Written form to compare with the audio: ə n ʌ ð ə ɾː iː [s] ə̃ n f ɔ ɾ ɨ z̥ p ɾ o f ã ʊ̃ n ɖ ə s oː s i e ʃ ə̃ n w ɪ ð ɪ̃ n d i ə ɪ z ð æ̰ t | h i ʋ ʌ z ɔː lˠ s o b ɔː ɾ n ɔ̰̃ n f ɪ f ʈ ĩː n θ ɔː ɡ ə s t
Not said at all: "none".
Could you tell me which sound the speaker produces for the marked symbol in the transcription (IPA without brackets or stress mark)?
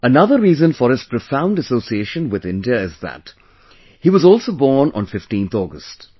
z